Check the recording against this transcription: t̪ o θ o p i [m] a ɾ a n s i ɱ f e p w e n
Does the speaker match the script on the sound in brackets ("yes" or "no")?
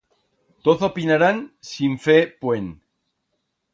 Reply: no